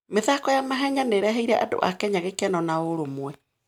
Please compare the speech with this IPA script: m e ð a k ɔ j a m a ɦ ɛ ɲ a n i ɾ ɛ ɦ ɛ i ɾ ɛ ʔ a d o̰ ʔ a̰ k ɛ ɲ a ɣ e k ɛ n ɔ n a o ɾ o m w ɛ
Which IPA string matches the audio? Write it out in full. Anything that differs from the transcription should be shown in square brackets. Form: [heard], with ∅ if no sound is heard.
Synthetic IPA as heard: m e ð a k ɔ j a m a ɦ ɛ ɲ a n [e] ɾ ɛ ɦ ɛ i ɾ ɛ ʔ a d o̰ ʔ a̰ k ɛ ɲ a ɣ e k ɛ n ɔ n a o ɾ o m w ɛ

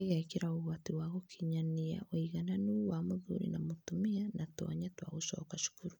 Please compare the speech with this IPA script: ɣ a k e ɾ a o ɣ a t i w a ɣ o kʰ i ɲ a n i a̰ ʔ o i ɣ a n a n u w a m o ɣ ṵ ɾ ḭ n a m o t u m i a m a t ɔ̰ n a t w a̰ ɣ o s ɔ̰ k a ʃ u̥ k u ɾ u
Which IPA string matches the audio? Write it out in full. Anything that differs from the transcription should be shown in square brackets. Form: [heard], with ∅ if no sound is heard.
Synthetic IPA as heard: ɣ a k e ɾ a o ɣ a t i w a ɣ o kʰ i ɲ a n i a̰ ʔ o i ɣ a n a n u w a m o [ð] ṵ ɾ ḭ n a m o t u m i a [n] a t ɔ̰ [ɲ] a t w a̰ ɣ o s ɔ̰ k a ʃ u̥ k u ɾ u

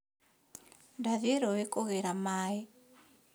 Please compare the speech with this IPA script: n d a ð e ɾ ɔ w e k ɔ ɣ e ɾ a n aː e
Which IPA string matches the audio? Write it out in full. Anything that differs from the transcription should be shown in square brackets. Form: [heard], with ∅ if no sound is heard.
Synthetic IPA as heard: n d a ð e ɾ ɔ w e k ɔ ɣ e ɾ a [m] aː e

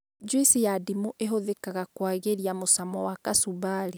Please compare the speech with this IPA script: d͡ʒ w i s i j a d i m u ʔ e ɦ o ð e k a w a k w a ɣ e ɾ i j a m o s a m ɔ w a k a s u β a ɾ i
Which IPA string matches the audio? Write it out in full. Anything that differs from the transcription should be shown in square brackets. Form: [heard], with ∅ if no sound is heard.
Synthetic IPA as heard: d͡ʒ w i s i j a d i m u ʔ e ɦ o ð e k a [ɣ] a k w a ɣ e ɾ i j a m o s a m ɔ w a k a s u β a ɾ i

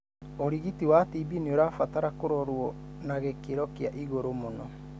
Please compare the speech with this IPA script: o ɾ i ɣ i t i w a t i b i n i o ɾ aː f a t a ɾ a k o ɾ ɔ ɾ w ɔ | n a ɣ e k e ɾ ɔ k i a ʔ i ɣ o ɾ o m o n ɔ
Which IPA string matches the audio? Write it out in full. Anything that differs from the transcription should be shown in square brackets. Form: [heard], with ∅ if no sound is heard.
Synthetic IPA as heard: o ɾ i ɣ i t i w a t i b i n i o ɾ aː f a t a ɾ a k o ɾ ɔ ɾ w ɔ | n a ɣ e k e ɾ ɔ k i a ʔ i ɣ o ɾ o m o n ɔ

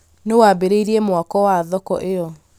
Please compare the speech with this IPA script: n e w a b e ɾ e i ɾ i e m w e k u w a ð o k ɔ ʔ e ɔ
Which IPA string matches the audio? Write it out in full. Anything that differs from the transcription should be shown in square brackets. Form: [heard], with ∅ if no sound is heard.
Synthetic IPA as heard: n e w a b e ɾ e i ɾ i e m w [a] k [ɔ] w a ð [ɔ] k ɔ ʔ e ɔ

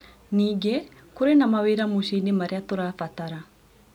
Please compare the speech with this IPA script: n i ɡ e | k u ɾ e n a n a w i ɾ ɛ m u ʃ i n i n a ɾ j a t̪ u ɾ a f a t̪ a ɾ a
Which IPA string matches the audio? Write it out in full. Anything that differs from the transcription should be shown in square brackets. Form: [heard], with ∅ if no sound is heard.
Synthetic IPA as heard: n i ɡ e | k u ɾ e n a [m] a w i ɾ [a] m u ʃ i n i [m] a ɾ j a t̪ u ɾ a f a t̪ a ɾ a

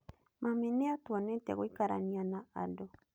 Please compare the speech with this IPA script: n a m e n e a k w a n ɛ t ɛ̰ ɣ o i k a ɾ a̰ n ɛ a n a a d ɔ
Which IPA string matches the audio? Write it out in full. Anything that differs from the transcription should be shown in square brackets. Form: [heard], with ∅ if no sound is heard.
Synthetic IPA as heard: [m] a m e n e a [t] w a n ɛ t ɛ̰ ɣ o i k a ɾ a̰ n [i] a n a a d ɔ

